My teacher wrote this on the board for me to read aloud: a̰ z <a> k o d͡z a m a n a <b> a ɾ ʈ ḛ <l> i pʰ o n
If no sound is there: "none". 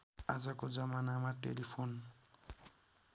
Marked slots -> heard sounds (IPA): a, m, l

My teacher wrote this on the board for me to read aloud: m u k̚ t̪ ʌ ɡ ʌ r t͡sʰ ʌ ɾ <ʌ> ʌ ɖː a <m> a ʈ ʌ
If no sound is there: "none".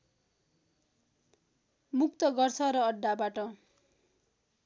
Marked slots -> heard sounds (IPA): ʌ, b

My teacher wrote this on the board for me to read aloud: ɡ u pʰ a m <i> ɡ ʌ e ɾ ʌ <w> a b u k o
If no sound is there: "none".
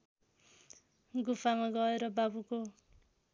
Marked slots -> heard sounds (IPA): a, b

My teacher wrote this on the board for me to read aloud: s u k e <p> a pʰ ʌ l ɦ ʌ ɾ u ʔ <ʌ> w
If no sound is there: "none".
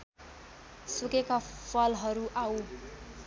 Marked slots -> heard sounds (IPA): k, a

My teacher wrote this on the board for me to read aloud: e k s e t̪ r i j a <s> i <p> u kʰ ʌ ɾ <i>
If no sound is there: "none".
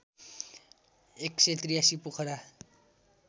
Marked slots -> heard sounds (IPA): s, p, a

